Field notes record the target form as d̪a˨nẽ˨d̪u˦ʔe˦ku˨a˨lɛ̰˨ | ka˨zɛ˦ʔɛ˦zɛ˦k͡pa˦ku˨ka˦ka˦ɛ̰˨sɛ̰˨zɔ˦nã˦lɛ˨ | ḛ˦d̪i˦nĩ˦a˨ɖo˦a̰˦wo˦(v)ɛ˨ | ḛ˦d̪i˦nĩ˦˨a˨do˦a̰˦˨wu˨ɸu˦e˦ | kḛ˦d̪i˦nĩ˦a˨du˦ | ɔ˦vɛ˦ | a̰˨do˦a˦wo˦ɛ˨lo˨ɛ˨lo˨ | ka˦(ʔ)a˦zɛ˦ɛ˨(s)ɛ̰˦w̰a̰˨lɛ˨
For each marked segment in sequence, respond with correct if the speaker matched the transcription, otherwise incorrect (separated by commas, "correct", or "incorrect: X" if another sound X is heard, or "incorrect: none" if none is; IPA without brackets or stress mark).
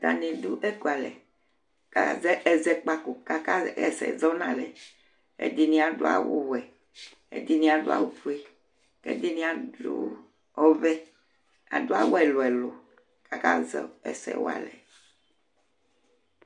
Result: incorrect: w, incorrect: k, correct